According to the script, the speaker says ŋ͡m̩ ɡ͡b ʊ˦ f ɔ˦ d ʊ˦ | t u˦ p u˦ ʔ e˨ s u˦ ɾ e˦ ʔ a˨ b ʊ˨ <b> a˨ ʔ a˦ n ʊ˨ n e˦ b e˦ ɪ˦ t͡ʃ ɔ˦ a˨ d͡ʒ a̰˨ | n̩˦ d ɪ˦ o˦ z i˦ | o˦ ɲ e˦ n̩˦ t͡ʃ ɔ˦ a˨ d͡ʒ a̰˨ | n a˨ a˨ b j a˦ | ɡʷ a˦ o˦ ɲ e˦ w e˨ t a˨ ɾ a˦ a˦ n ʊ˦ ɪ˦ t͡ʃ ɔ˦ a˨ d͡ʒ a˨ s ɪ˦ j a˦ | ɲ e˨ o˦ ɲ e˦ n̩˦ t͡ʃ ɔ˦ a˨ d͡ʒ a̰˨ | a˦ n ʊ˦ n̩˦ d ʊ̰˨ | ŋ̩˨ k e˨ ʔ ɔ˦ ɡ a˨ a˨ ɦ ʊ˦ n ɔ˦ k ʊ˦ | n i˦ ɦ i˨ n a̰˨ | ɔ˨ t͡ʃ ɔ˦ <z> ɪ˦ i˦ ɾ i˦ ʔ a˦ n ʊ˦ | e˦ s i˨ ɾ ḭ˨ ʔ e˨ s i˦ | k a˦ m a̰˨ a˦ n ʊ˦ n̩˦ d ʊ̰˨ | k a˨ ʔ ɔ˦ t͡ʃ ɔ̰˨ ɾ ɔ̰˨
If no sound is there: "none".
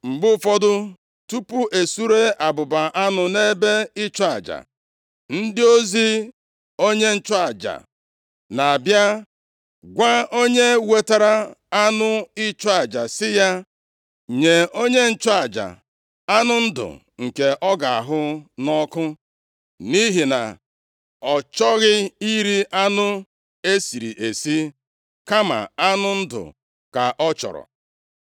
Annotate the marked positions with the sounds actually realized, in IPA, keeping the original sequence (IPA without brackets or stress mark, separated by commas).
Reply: b, ɣ